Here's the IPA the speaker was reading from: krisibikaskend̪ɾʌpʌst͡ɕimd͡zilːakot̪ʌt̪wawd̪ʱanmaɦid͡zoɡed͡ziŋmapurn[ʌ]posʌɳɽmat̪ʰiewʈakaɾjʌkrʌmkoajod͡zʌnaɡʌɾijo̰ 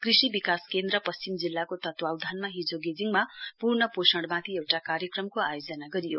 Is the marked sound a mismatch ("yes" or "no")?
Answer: no